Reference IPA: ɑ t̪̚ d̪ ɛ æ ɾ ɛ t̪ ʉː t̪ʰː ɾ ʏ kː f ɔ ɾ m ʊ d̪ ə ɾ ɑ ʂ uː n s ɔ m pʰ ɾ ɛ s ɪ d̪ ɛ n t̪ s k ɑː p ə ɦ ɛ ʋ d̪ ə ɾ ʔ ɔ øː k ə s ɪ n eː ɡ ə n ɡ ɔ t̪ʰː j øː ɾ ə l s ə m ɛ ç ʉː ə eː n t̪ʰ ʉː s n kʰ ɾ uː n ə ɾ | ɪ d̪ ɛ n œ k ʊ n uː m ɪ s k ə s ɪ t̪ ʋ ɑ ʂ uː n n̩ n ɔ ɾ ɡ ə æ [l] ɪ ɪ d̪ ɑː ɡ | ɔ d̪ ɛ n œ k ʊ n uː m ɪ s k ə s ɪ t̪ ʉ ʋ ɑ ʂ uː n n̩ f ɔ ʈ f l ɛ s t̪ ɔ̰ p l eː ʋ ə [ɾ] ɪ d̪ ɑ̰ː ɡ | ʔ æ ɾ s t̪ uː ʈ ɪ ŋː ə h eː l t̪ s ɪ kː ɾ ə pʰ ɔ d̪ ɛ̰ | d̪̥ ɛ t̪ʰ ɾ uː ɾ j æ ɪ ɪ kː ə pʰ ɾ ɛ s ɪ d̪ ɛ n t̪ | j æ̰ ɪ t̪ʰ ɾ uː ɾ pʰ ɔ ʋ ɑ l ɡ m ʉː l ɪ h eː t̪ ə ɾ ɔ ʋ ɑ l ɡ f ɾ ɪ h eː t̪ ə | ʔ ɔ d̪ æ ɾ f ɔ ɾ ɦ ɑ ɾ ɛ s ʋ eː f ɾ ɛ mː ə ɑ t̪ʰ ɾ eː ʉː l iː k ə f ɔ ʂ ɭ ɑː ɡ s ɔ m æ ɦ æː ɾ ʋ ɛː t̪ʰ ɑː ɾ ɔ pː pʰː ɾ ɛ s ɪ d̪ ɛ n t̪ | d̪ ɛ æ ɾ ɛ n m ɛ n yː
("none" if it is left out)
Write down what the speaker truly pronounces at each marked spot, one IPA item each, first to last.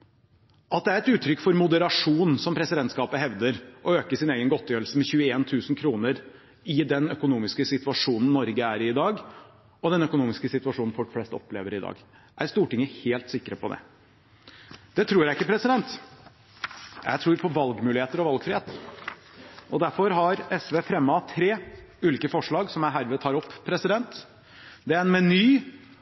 ɾ, ɾ

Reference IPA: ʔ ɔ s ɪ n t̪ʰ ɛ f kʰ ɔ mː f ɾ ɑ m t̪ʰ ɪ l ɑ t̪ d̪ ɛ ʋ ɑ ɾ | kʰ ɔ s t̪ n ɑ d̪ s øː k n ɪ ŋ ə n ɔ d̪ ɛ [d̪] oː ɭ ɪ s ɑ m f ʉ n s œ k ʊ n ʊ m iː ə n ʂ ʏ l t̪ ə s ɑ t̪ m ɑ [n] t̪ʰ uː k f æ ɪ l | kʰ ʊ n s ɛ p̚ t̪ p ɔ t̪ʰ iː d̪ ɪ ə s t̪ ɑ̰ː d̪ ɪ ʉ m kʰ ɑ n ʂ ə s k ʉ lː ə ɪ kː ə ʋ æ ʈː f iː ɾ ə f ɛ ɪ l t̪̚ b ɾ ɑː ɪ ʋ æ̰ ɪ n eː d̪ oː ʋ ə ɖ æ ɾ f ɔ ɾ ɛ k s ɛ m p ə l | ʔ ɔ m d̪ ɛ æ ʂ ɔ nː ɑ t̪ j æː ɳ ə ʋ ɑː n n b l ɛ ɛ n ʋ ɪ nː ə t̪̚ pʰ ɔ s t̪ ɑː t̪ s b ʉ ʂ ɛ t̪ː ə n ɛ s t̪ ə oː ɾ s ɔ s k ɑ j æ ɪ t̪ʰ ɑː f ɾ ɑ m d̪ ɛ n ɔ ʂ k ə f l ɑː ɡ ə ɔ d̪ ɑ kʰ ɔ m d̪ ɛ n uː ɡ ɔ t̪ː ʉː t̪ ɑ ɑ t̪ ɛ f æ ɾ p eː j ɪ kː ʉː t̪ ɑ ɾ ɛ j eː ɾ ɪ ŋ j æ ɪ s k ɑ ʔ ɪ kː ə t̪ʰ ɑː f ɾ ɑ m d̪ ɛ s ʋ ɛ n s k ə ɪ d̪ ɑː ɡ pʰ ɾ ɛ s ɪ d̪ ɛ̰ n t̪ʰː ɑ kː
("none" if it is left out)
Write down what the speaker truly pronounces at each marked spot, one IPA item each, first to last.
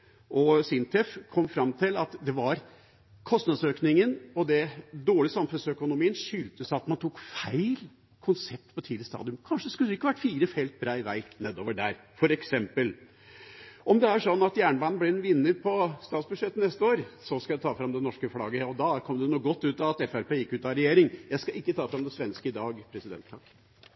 d̪, n

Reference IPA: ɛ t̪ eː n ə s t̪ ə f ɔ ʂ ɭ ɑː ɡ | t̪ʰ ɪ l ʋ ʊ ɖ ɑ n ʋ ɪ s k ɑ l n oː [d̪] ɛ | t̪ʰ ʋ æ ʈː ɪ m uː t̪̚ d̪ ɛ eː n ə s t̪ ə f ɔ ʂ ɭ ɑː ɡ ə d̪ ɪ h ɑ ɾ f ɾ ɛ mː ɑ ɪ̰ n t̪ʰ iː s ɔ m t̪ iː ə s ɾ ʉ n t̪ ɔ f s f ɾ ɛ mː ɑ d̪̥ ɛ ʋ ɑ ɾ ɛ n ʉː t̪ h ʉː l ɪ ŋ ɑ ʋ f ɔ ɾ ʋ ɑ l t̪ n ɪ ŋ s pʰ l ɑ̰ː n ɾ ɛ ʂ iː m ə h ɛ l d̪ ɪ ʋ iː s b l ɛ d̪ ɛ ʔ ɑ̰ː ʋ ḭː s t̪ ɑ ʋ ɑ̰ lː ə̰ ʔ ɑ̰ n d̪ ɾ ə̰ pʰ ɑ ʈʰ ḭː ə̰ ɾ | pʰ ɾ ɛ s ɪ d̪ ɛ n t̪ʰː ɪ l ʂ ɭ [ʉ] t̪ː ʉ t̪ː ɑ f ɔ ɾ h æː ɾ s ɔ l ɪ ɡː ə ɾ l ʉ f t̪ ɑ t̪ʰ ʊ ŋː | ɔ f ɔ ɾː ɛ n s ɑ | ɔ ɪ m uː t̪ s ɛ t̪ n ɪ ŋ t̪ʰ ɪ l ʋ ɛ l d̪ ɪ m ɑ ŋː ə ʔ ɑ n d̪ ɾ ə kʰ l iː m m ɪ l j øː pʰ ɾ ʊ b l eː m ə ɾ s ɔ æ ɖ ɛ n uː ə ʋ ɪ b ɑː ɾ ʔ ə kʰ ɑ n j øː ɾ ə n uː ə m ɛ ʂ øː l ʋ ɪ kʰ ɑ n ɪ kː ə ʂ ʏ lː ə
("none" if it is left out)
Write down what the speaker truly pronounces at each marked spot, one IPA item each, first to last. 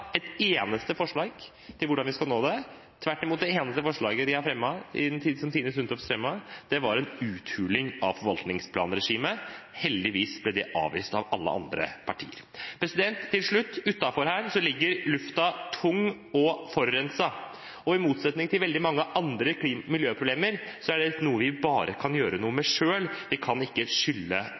d̪, ʉ

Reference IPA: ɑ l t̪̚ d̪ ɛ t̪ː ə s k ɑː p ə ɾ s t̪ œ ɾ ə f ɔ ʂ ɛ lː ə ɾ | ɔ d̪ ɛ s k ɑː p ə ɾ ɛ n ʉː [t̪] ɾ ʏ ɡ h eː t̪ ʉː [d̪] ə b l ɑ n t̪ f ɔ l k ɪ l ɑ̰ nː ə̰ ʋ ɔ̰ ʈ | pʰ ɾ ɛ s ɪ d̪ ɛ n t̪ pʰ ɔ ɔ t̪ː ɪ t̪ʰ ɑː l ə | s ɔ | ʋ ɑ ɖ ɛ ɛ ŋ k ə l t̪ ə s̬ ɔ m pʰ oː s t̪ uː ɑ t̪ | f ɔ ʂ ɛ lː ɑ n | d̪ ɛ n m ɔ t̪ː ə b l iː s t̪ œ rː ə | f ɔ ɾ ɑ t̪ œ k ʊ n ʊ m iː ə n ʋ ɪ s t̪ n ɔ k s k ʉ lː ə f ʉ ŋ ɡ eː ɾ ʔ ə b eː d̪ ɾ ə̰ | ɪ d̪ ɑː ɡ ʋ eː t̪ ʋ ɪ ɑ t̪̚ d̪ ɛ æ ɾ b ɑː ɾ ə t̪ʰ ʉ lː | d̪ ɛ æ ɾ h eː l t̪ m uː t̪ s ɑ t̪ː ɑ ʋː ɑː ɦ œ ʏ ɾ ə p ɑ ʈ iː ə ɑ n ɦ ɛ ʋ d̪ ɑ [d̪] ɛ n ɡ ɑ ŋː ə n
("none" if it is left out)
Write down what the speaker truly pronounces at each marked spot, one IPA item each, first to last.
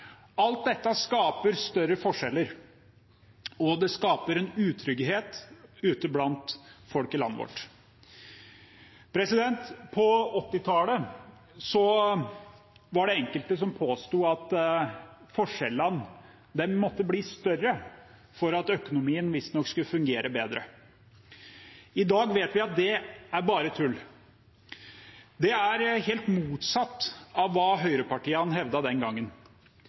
t̪ʰ, t̪, d̪

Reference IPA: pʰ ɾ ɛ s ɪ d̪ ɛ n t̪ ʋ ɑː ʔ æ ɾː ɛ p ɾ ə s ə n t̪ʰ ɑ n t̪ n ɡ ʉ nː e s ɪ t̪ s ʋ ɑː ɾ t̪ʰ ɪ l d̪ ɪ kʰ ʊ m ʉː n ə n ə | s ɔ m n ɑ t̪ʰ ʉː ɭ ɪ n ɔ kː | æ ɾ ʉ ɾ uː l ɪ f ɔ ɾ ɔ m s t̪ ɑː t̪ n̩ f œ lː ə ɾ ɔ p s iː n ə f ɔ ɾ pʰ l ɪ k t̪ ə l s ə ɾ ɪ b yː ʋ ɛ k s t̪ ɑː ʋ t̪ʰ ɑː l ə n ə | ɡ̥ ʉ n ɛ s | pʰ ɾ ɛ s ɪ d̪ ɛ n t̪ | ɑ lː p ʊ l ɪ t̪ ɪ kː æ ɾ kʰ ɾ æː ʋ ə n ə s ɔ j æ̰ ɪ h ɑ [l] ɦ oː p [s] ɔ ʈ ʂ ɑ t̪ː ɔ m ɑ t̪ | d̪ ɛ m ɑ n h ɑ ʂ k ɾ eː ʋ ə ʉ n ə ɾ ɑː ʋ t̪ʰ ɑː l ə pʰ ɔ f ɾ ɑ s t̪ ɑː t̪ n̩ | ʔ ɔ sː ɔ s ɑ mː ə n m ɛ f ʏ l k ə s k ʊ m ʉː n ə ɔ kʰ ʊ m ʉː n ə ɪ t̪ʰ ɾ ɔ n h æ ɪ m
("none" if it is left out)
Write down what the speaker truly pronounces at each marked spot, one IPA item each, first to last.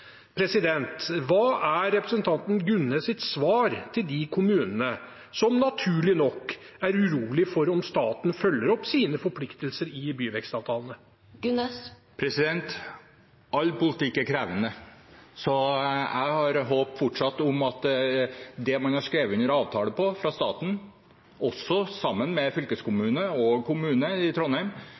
ɾ, f

